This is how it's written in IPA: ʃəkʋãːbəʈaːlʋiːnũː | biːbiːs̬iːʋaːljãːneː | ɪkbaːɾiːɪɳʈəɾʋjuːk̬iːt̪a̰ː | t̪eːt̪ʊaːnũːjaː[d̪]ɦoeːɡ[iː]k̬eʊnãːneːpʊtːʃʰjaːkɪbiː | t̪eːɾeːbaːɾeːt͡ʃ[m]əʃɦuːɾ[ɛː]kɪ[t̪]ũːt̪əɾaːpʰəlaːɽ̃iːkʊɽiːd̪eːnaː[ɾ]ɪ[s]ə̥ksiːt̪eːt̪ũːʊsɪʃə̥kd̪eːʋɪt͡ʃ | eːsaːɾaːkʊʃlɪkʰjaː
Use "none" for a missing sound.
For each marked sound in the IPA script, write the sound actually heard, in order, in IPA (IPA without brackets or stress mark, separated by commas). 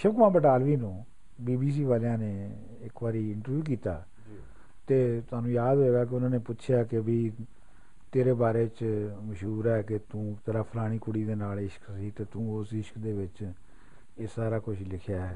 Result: d̪, aː, m, ɛː, t̪, l, ʃ